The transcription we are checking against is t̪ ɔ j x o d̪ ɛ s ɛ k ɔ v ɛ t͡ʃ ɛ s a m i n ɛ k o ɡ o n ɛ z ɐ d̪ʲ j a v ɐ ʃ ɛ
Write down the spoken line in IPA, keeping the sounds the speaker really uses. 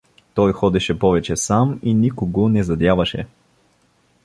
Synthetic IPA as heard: t̪ ɔ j x ɔ d̪ ɛ ʃ ɛ p ɔ v ɛ t͡ʃ ɛ s a m i n i k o ɡ o n ɛ z ɐ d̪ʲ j a v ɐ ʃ ɛ

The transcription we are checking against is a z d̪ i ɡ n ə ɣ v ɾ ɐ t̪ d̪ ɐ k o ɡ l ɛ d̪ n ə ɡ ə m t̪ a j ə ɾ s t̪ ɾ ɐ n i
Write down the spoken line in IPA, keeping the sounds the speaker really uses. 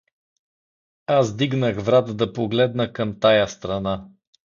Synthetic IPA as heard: a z d̪ i ɡ n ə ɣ v ɾ a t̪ d̪ ɐ p o ɡ l ɛ d̪ n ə k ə m t̪ a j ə s t̪ ɾ ɐ n a

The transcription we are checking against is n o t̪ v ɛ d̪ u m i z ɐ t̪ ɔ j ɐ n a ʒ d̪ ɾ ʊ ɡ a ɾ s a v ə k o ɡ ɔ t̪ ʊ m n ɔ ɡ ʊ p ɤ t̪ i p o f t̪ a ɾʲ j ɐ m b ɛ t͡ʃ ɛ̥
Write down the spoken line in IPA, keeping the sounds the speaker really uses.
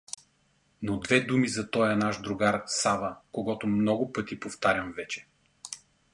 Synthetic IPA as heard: n o d̪ v ɛ d̪ u m i z ɐ t̪ ɔ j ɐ n a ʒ d̪ ɾ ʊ ɡ a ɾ s a v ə k o ɡ ɔ t̪ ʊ m n ɔ ɡ ʊ p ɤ t̪ i p o f t̪ a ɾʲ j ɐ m v ɛ t͡ʃ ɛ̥

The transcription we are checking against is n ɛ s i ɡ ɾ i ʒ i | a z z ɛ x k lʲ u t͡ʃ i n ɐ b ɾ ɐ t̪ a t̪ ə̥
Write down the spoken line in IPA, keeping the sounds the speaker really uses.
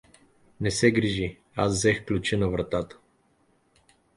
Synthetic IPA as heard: n ɛ s ɛ ɡ ɾ i ʒ i | a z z ɛ x k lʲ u t͡ʃ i n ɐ v ɾ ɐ t̪ a t̪ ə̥

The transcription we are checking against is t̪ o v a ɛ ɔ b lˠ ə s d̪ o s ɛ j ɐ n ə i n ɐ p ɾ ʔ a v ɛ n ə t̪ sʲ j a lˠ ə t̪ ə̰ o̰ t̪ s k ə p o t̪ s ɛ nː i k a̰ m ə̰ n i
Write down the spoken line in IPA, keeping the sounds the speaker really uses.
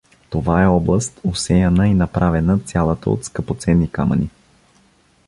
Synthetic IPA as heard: t̪ o v a ɛ ɔ b lˠ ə s t̪ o s ɛ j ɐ n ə i n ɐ p ɾ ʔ a v ɛ n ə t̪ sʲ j a lˠ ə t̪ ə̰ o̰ t̪ s k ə p o t̪ s ɛ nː i k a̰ m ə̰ n i

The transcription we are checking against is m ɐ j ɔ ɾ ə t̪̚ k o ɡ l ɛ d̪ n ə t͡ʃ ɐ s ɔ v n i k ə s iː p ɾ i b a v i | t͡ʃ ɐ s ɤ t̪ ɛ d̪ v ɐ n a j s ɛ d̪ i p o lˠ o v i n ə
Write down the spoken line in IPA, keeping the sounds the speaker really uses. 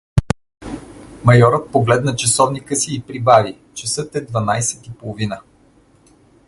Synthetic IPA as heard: m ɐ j ɔ ɾ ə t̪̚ p o ɡ l ɛ d̪ n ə t͡ʃ ɐ s ɔ v n i k ə s iː p ɾ i b a v i | t͡ʃ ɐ s ɤ t̪ ɛ d̪ v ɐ n a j s ɛ t̪ i p o lˠ o v i n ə

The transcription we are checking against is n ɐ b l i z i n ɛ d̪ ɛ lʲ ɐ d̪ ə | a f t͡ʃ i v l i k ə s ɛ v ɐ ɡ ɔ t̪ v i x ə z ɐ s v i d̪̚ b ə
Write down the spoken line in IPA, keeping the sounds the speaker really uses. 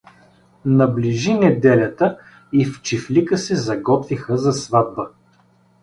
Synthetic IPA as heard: n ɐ b l i ʒ i n ɛ d̪ ɛ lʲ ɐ t̪ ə | i f t͡ʃ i f l i k ə s ɛ z ɐ ɡ ɔ t̪ v i x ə z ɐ s v a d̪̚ b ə

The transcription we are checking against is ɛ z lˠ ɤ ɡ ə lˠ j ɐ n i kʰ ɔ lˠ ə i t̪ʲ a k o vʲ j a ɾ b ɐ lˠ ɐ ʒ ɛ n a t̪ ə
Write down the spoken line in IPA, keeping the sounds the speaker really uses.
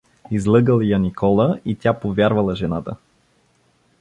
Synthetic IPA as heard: i z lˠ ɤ ɡ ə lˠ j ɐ n i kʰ ɔ lˠ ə i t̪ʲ a p o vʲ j a ɾ v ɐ lˠ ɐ ʒ ɛ n a t̪ ə

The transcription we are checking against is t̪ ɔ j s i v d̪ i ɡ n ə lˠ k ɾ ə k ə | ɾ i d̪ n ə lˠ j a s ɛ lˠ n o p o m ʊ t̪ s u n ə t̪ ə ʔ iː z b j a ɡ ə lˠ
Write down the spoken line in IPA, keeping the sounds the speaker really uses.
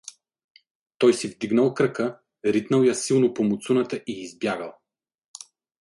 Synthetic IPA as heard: t̪ ɔ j s i v d̪ i ɡ n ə lˠ k ɾ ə k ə | ɾ i t̪ n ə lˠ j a s i lˠ n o p o m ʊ t̪ s u n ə t̪ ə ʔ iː z b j a ɡ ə lˠ

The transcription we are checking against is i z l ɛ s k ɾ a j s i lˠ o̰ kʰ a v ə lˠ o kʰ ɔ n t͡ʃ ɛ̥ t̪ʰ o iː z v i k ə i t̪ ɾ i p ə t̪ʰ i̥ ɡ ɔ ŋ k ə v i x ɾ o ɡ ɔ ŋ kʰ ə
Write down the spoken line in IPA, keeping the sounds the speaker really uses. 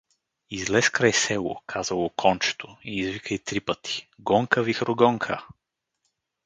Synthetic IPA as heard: i z l ɛ s k ɾ a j s ɛ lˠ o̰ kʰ a z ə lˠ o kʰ ɔ n t͡ʃ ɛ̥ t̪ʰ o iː z v i k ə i t̪ ɾ i p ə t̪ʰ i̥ ɡ ɔ ŋ k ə v i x ɾ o ɡ ɔ ŋ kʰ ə

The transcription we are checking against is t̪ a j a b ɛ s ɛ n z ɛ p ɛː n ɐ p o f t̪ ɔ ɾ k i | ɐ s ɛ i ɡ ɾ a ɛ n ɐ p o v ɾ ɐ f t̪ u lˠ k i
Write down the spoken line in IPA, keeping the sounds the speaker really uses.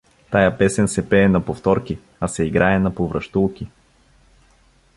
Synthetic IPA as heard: t̪ a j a p ɛ s ɛ n s ɛ p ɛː n ɐ p o f t̪ ɔ ɾ k i | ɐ s ɛ i ɡ ɾ a ɛ n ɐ p o v ɾ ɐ ʃ t̪ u lˠ k i

